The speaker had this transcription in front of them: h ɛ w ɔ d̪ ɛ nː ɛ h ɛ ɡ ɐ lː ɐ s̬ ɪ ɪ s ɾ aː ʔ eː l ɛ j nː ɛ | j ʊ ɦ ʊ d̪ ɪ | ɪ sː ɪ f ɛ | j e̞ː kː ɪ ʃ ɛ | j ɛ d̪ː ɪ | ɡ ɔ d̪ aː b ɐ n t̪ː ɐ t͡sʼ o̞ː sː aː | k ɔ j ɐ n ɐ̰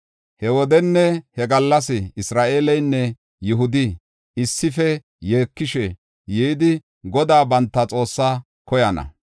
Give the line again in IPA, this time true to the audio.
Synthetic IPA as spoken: h ɛ w ɔ d̪ ɛ nː ɛ h ɛ ɡ ɐ lː ɐ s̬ ɪ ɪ s ɾ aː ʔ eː l ɛ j nː ɛ | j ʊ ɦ ʊ d̪ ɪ | ɪ sː ɪ f ɛ | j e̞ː kː ɪ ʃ ɛ | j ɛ d̪ ɪ | ɡ ɔ d̪ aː b ɐ n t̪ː ɐ t͡sʼ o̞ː sː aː | k ɔ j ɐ n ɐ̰